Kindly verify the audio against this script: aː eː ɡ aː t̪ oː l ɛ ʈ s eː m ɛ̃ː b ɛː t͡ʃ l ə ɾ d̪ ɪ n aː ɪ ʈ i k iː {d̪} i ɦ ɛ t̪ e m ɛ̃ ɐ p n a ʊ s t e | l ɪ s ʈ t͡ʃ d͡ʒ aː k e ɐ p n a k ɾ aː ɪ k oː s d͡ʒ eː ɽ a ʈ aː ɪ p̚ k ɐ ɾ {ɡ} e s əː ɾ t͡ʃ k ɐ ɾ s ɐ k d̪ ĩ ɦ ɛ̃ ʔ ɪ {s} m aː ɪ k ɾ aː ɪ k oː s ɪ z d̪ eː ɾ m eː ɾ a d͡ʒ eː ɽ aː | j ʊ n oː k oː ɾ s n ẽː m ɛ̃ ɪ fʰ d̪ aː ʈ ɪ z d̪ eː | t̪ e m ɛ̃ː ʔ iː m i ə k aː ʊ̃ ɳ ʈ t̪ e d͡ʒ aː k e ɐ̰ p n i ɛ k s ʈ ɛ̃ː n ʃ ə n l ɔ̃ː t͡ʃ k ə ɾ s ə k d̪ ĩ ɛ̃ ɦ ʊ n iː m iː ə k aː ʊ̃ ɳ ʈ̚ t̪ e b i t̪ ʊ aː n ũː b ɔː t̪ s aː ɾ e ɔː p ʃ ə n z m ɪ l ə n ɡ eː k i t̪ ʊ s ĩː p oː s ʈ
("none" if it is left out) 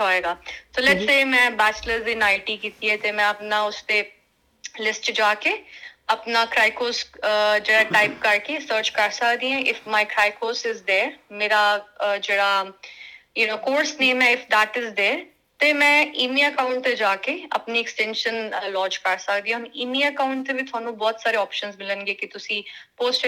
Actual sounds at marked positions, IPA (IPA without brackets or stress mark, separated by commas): t̪, k, f